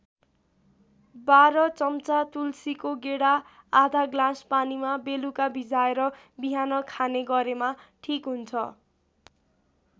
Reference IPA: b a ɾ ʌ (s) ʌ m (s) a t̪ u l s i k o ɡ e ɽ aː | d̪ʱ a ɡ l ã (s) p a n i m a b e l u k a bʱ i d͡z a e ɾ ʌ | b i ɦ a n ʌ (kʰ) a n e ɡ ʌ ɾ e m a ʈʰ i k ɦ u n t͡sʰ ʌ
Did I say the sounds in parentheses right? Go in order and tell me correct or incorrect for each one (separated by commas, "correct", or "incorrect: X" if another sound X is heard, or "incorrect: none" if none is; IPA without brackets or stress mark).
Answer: incorrect: t͡s, incorrect: t͡s, correct, correct